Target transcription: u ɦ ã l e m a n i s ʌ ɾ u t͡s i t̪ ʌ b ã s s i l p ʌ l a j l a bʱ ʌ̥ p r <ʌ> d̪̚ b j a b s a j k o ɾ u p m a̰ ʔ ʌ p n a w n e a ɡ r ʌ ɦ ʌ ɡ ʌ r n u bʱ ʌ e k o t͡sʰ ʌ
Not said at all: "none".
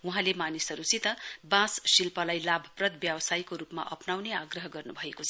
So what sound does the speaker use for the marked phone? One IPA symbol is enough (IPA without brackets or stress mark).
ʌ